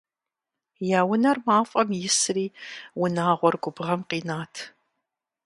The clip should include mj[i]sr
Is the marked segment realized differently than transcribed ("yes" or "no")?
yes